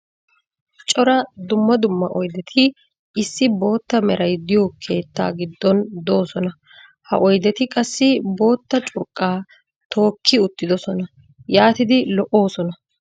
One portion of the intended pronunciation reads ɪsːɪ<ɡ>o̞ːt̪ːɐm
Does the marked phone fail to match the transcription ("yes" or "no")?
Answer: yes